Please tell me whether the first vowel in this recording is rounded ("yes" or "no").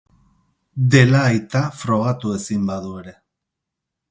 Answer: no